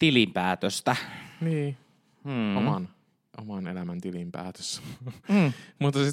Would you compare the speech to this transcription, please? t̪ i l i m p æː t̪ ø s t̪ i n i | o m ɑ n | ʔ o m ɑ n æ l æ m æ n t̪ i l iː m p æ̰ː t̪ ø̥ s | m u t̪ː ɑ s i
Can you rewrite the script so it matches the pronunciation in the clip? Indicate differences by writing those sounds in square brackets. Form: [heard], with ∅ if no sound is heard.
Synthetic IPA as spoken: t̪ i l i m p æː t̪ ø s t̪ [æ] n [iː] | o m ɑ n | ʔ o m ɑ n [e] l æ m æ n t̪ i l [i] m p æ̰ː t̪ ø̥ s | m u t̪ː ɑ s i